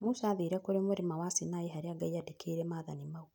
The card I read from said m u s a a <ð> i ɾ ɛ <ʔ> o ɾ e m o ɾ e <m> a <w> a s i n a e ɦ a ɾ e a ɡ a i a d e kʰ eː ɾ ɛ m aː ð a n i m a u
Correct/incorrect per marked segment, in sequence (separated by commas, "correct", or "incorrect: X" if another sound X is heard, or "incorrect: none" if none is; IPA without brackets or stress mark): correct, incorrect: k, correct, correct